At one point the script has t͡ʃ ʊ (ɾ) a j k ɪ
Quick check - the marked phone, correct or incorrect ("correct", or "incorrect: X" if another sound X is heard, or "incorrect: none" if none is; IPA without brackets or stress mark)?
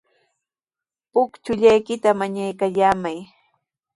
incorrect: ʎ